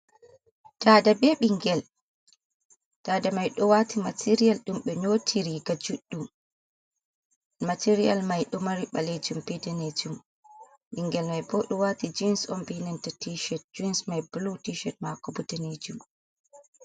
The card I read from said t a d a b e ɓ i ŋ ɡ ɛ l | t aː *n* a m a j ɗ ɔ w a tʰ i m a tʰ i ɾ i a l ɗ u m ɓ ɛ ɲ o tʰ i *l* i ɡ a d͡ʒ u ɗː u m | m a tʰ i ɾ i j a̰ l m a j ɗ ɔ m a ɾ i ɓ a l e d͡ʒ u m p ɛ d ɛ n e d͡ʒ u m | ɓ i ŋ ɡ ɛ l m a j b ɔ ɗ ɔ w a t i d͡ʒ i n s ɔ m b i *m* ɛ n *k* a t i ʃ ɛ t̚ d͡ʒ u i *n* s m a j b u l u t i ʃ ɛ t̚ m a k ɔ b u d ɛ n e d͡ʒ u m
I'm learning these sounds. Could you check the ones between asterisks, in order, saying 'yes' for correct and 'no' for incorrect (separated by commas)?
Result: no, no, no, no, yes